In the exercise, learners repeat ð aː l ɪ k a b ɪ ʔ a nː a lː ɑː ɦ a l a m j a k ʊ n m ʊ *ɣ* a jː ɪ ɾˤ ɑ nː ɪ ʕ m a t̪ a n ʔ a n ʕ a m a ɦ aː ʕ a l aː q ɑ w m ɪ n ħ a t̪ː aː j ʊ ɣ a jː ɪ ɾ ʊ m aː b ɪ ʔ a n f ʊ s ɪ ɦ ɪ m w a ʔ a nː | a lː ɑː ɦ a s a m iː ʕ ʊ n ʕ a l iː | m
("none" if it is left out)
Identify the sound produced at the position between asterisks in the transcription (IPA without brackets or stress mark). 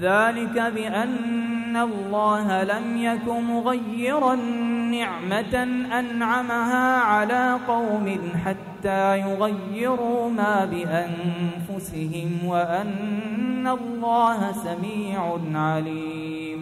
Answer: ɣ